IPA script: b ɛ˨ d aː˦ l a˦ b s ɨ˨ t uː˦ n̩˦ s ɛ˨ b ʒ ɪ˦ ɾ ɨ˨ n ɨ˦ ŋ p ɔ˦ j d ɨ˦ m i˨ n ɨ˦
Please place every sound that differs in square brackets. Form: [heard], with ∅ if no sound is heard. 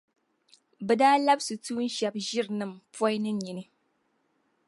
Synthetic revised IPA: b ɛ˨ d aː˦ l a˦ b s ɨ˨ t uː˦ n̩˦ [ʃ] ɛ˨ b ʒ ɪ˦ ɾ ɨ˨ n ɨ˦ [m] p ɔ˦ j [n] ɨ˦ [ɲ] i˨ n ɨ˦